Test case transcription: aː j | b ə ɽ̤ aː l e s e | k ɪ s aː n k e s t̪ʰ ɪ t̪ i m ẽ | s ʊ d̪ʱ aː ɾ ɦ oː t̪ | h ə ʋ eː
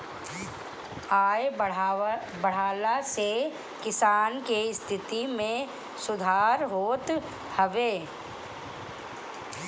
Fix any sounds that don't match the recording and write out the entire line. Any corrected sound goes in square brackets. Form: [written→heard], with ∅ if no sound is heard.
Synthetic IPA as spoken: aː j | b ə ɽ̤ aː l [e→a] s e | k ɪ s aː n k e s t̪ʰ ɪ t̪ i m ẽ | s ʊ d̪ʱ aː ɾ ɦ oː t̪ | h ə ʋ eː